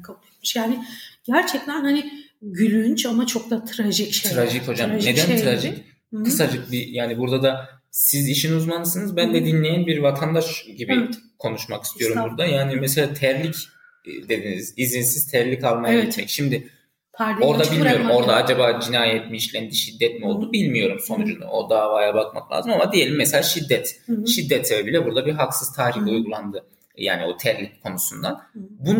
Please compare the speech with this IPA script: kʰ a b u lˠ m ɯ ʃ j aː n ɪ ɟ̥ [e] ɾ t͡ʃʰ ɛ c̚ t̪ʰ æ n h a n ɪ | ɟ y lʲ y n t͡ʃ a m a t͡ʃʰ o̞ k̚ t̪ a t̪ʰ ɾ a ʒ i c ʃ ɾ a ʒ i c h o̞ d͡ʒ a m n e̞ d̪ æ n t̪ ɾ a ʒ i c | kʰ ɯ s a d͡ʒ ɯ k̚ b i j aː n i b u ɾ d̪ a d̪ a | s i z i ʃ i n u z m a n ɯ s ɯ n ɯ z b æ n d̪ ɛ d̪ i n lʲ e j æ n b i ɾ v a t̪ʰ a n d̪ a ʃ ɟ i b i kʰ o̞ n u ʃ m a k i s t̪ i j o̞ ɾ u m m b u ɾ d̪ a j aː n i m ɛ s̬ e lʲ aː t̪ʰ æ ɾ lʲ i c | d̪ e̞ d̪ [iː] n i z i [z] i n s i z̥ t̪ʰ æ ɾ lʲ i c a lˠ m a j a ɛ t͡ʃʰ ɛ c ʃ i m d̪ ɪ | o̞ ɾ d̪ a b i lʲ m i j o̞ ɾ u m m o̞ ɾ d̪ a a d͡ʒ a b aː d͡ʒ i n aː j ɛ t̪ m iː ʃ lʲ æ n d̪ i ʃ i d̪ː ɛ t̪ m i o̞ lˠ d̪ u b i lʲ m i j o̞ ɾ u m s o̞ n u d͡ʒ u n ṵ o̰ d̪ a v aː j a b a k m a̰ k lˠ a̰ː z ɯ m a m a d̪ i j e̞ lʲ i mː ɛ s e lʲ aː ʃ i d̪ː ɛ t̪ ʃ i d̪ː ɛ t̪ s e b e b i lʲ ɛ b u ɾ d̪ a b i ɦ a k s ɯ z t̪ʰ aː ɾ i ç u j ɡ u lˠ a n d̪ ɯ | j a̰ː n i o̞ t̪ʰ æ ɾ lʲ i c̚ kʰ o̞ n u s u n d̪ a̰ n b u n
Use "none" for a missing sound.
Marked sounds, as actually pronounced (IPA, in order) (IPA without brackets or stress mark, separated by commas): æ, i, z